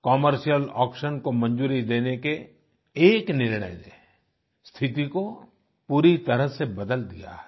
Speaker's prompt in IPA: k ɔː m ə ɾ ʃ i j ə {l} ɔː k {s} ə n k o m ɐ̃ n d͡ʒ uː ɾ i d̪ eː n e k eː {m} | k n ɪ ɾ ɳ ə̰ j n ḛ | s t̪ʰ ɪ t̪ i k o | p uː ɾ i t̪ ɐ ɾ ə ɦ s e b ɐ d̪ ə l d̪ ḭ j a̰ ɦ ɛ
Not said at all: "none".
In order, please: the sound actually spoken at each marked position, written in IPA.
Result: l, ʃ, none

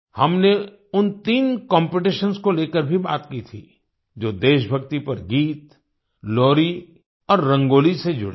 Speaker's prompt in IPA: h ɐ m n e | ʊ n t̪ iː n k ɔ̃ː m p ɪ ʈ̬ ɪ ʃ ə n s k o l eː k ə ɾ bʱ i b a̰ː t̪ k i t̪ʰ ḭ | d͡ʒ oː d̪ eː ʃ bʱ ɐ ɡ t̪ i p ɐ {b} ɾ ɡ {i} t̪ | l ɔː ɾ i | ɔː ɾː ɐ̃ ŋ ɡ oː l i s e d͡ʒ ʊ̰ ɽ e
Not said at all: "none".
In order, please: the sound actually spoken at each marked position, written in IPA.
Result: none, iː

